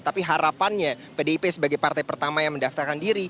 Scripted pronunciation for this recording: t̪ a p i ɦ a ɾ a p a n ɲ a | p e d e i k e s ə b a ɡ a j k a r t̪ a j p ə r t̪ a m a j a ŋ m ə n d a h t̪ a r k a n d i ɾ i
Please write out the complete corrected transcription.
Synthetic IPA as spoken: t̪ a p i ɦ a ɾ a p a n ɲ a | p e d e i p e s ə b a ɡ a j p a r t̪ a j p ə r t̪ a m a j a ŋ m ə n d a f t̪ a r k a n d i ɾ i